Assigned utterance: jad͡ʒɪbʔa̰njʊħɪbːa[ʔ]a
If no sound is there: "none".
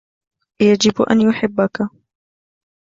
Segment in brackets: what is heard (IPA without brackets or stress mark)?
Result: k